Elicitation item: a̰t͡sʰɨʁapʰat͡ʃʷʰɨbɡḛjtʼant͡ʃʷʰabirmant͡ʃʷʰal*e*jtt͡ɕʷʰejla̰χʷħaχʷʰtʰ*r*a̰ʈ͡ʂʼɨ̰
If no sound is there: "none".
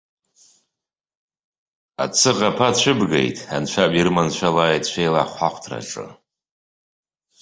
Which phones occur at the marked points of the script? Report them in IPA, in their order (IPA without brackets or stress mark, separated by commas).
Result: a, r